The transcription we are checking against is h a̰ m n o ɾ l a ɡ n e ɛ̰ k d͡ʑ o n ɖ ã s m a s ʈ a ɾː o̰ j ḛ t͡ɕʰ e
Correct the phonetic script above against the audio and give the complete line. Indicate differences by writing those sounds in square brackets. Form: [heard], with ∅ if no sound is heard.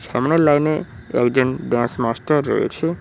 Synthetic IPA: [ʃ] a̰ m n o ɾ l a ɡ n e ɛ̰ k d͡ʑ o n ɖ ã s m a s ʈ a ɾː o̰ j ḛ t͡ɕʰ e